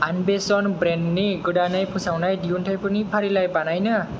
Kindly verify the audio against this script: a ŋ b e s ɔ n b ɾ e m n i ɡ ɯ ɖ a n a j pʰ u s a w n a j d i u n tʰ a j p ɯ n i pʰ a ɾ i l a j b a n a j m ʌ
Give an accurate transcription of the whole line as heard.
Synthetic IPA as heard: a n b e s ɔ n b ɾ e n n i ɡ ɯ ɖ a n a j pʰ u s a w n a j d i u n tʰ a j p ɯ n i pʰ a ɾ i l a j b a n a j n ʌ